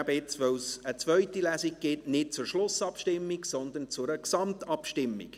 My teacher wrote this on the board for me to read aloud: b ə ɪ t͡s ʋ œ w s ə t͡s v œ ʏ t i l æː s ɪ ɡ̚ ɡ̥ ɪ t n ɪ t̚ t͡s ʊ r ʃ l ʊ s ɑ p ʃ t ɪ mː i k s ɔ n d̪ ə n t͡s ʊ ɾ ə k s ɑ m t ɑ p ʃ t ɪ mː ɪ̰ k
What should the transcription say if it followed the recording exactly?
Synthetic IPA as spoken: b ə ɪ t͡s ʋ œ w s ə t͡s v œ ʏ t i l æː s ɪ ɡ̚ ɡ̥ ɪ t n ɪ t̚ t͡s ʊ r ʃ l ʊ s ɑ p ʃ t ɪ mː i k s ɔ n d̪ ə n t͡s ʊ ɾ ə k s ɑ m t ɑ p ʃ t ɪ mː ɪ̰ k